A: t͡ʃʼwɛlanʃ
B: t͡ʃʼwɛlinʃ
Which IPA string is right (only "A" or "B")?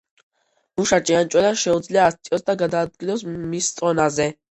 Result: A